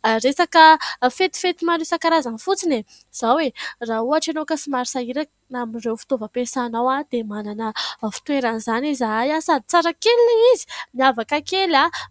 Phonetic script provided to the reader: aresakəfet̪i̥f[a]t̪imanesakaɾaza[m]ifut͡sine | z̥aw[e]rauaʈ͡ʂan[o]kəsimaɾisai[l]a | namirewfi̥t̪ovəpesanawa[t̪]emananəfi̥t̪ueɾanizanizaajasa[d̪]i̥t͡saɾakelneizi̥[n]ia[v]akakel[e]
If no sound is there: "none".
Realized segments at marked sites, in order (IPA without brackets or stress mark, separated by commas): e, n, e, o, ɾ, d̪, d̪, m, v, a